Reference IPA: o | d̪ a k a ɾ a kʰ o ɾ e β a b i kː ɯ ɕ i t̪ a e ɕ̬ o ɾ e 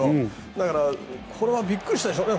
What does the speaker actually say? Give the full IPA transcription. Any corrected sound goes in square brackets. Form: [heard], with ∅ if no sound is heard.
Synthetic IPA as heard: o | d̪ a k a ɾ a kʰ o ɾ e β a b i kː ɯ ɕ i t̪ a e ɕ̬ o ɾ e